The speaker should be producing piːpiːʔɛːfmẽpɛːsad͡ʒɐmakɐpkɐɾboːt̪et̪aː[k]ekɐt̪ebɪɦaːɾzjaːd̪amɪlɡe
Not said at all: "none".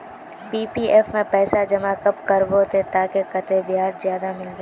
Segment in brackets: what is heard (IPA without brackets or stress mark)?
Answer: k